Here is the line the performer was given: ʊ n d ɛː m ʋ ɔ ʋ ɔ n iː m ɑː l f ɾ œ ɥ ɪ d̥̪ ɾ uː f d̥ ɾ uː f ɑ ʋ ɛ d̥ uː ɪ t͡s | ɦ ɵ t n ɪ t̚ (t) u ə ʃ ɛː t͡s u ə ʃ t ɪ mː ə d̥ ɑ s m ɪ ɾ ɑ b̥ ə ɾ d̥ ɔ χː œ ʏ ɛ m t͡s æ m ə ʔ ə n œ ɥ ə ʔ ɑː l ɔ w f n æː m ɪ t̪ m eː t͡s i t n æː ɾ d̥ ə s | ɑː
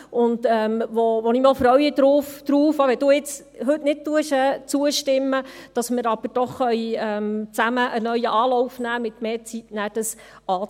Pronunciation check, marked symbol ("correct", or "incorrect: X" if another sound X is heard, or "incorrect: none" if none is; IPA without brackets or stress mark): correct